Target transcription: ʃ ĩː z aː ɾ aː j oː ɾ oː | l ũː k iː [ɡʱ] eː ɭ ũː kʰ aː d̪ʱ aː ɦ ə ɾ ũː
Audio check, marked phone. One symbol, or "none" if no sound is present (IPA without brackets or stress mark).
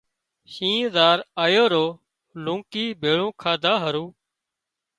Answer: bʱ